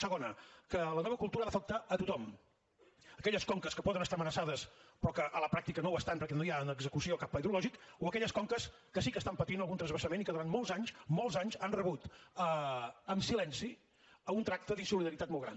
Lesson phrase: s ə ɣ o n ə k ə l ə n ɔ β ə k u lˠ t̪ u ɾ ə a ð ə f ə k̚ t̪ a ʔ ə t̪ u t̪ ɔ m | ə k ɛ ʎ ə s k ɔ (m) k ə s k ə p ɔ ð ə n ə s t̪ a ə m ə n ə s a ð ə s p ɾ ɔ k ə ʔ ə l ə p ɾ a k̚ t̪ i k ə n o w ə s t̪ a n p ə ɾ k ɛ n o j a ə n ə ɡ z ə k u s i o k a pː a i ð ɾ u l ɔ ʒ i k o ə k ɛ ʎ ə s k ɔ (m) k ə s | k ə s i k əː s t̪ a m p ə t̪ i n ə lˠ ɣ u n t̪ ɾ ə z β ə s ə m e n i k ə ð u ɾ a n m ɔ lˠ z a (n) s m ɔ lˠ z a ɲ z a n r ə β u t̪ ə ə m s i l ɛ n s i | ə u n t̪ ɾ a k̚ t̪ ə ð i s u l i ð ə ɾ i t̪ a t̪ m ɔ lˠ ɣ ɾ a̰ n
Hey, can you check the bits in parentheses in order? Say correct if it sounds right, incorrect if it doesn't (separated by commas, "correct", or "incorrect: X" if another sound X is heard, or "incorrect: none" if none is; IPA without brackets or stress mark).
incorrect: ŋ, incorrect: ŋ, incorrect: ɲ